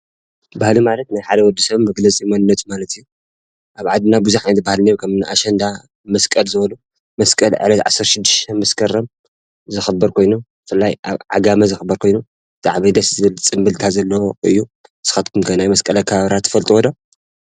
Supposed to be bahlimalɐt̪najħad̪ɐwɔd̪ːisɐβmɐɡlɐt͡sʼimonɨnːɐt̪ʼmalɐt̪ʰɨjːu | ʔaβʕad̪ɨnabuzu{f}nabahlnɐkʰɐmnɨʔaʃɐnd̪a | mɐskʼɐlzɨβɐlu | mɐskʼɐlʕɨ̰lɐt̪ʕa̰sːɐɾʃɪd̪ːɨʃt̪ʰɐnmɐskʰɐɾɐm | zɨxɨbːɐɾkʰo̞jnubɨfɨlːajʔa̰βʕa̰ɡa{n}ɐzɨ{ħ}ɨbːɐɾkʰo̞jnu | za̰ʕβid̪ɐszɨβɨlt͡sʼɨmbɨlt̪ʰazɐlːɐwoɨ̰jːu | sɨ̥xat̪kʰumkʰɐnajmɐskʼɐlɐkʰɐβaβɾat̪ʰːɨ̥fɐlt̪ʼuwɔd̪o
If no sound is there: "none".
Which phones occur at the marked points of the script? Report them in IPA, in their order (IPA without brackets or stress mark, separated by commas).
ħ, m, x